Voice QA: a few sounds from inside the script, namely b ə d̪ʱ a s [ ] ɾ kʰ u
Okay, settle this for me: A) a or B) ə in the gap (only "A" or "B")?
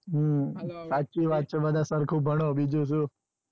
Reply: B